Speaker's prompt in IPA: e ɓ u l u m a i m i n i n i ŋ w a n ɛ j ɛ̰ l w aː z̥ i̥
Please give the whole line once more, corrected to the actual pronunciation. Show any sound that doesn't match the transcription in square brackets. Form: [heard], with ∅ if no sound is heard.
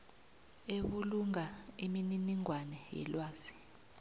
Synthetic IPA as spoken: e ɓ u l u [ŋ] a i m i n i n i ŋ w a n ɛ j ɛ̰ l w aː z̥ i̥